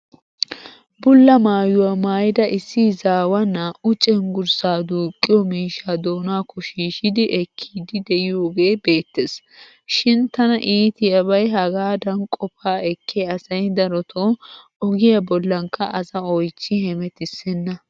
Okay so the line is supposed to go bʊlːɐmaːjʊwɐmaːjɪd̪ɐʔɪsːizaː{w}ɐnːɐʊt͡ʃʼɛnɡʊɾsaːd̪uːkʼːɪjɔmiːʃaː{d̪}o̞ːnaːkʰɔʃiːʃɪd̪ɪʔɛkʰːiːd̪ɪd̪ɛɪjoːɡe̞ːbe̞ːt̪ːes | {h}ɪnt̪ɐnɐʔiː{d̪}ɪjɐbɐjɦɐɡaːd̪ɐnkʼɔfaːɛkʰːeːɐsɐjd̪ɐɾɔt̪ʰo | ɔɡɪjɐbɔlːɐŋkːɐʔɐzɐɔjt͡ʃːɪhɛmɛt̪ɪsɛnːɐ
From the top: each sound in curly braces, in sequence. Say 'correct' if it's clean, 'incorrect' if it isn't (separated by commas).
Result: correct, correct, incorrect, incorrect